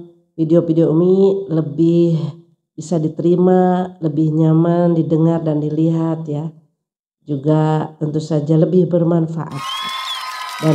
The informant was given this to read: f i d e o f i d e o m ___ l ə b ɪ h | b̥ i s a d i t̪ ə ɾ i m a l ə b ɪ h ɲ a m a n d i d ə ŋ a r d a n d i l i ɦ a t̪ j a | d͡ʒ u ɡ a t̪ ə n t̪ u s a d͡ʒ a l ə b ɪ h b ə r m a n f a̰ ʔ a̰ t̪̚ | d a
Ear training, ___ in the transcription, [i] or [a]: i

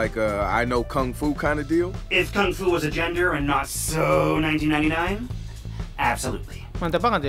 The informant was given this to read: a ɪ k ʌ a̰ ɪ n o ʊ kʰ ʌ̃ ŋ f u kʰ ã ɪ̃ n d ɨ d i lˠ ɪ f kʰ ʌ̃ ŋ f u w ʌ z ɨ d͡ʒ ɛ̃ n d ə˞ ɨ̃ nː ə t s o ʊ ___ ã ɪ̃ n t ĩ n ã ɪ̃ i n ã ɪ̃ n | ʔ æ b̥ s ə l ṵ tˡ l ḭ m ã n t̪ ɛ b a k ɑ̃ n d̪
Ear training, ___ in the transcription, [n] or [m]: n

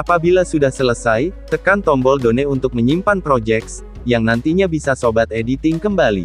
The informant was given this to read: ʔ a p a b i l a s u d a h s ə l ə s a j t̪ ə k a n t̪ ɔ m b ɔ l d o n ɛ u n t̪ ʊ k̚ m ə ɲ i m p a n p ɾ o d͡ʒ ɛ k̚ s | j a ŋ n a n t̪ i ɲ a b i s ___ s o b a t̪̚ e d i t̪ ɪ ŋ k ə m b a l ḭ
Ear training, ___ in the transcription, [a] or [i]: a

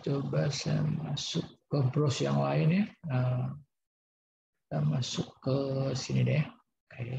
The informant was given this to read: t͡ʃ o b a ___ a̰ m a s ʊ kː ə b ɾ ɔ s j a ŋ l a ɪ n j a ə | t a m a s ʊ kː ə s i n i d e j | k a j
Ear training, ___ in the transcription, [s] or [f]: s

